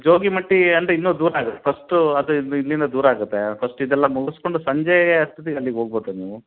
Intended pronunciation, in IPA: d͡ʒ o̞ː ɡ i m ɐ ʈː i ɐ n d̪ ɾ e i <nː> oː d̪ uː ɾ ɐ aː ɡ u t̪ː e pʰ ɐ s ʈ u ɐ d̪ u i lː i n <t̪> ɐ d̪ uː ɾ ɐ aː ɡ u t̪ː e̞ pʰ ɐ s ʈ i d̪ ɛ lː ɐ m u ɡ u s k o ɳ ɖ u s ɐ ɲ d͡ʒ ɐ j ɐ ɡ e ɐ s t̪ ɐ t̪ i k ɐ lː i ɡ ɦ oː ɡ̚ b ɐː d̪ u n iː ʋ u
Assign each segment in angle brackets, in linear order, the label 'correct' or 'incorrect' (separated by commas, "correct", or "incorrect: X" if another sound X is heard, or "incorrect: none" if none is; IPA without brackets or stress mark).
correct, incorrect: d̪